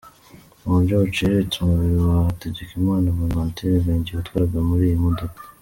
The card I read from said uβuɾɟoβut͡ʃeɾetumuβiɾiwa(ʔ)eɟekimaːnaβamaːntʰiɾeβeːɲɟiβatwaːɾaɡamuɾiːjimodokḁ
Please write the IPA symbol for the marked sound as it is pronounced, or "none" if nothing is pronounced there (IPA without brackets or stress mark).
t